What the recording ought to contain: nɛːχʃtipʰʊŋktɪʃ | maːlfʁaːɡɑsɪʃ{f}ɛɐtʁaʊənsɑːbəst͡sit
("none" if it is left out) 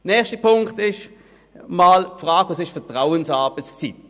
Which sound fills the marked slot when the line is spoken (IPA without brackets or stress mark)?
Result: f